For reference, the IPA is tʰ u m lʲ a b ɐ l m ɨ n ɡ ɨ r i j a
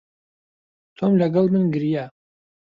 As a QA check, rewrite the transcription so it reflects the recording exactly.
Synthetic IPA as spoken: tʰ o m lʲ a ɡ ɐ l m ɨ n ɡ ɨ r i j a